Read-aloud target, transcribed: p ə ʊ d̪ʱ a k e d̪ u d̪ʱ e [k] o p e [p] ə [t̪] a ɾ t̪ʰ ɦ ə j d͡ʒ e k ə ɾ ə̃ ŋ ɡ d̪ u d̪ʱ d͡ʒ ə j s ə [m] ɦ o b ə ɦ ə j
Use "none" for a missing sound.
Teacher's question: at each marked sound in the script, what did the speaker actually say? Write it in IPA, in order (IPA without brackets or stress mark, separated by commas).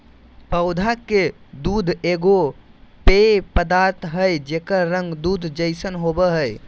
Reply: ɡ, p, d̪, n